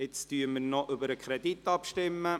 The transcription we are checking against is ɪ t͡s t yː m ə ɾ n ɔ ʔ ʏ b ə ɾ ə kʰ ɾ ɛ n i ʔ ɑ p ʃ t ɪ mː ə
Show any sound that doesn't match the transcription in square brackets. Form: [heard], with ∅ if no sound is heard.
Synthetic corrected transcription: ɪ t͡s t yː m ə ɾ n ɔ ʔ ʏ b ə ɾ ə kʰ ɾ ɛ [d] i [t] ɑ p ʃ t ɪ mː ə